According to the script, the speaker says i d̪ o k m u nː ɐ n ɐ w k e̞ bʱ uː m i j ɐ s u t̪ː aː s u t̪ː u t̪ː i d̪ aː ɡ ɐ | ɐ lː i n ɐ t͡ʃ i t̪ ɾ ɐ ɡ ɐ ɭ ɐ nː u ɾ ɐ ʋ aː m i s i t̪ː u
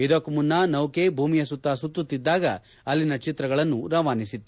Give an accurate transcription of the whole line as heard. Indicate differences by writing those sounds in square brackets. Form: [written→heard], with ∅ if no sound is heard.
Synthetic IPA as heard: i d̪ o k m u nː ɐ n ɐ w k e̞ bʱ uː m i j ɐ s u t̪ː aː s u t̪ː u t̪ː i [d̪→d̪ː] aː ɡ ɐ | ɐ lː i n ɐ t͡ʃ i t̪ ɾ ɐ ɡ ɐ ɭ ɐ nː u ɾ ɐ ʋ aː [m→n] i s i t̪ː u